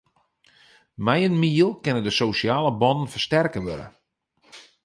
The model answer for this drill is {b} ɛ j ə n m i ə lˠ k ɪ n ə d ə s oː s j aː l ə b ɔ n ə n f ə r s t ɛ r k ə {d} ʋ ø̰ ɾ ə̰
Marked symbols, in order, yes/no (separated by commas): no, no